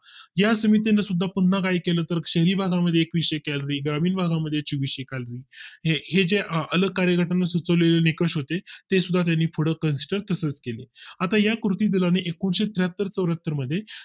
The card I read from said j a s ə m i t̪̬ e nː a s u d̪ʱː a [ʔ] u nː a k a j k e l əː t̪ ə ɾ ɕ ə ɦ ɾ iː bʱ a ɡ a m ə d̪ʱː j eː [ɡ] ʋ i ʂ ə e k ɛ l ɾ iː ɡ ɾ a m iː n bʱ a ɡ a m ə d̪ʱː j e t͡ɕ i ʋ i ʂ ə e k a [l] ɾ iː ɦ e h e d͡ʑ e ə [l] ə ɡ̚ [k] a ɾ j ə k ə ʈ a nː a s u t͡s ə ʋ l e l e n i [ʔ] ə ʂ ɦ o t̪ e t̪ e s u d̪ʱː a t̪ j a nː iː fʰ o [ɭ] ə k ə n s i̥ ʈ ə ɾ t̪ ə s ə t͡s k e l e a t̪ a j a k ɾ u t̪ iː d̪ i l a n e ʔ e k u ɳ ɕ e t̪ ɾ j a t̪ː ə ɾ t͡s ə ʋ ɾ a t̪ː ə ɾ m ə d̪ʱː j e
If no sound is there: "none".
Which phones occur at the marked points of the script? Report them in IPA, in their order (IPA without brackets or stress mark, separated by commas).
p, k, l, l, k, k, ɽ